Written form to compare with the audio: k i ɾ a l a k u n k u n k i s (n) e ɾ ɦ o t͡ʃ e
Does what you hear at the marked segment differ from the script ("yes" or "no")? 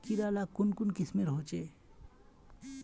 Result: yes